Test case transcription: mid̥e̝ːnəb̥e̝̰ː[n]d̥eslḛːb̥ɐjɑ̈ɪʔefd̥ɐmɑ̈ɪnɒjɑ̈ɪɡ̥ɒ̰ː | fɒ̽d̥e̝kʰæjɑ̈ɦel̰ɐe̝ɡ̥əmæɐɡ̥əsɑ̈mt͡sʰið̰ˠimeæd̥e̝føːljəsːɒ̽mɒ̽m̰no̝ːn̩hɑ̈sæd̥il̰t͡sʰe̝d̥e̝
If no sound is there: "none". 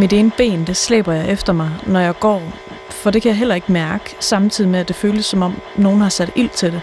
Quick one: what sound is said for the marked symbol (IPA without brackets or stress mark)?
n